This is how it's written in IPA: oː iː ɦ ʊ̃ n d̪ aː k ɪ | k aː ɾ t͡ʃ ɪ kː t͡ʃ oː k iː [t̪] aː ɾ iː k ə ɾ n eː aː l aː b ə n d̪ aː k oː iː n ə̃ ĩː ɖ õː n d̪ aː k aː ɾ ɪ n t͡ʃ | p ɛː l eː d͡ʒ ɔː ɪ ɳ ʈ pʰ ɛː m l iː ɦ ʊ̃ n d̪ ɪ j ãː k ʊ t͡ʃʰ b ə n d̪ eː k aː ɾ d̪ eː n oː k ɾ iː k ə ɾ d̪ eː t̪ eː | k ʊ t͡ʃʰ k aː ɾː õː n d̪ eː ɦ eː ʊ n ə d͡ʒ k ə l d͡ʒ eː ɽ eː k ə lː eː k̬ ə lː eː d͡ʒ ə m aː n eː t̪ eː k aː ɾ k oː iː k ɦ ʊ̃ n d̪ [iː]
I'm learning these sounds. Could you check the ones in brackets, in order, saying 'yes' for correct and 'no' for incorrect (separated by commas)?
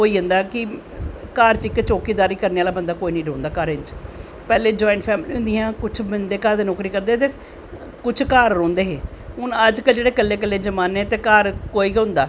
no, no